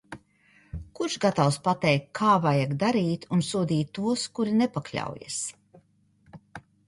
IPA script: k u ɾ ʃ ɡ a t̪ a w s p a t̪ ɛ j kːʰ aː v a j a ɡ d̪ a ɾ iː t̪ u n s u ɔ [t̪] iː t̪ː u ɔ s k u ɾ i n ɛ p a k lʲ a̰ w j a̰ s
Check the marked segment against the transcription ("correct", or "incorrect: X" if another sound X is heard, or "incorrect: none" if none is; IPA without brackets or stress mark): incorrect: d̪